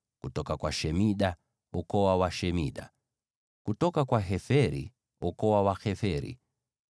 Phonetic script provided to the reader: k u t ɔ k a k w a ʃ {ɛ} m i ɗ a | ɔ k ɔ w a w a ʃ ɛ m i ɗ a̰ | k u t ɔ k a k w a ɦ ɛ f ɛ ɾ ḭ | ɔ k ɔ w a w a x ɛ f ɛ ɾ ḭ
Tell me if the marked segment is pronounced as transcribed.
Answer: yes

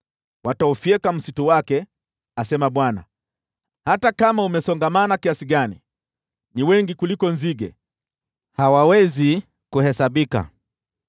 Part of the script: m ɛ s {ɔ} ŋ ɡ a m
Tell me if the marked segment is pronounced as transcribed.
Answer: yes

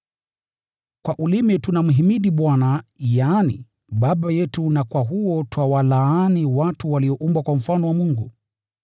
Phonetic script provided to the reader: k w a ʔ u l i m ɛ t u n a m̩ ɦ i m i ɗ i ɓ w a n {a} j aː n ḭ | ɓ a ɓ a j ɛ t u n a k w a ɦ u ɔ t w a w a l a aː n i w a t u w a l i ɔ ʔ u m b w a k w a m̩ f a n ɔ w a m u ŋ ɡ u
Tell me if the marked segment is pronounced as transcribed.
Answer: yes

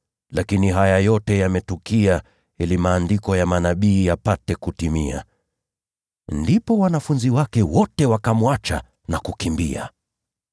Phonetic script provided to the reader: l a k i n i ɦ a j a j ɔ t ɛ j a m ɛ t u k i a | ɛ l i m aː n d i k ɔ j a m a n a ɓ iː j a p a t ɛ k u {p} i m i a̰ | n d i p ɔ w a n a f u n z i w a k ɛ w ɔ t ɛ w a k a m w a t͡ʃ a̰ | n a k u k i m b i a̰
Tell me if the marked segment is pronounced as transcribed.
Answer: no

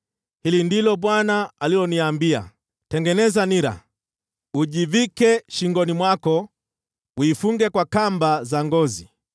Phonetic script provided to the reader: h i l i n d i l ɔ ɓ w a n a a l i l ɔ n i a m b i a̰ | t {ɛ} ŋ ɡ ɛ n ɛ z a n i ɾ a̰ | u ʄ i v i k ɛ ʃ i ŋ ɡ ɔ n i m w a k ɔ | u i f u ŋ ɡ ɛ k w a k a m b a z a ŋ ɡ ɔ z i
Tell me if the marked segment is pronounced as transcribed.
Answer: yes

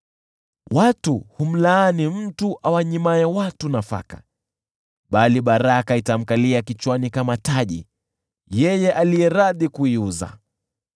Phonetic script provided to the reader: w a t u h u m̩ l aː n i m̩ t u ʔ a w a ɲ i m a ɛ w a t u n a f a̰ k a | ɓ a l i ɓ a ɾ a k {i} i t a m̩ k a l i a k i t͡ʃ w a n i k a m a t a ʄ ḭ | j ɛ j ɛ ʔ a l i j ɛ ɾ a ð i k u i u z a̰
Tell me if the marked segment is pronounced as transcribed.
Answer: no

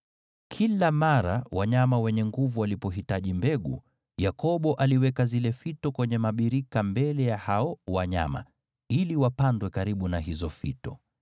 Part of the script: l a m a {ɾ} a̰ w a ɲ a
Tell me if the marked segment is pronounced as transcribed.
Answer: yes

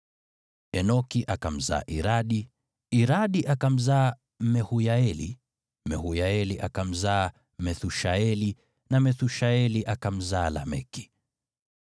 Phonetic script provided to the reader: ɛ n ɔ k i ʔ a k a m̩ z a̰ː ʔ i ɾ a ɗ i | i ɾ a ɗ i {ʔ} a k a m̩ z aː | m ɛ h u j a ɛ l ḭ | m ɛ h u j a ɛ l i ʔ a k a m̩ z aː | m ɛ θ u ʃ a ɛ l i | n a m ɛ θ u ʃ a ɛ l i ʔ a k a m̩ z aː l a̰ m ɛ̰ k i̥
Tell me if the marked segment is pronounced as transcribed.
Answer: yes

